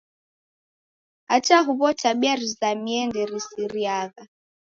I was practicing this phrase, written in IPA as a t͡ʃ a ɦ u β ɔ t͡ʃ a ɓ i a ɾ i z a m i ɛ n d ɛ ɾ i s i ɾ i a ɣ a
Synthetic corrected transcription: a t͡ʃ a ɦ u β ɔ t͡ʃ a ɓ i a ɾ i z a m i ɛ n d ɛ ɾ i s i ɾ i a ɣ a